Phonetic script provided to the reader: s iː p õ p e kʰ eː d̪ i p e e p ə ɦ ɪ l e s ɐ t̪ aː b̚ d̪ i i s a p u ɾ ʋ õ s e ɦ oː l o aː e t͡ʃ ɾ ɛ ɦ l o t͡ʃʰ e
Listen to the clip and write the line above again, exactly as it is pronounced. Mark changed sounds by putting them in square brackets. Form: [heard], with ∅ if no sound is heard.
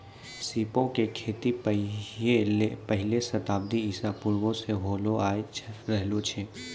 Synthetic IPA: s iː p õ [k] e kʰ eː [t̪] i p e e p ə ɦ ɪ l e s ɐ t̪ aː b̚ d̪ i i s a p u ɾ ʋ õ s e ɦ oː l o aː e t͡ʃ ɾ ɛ ɦ l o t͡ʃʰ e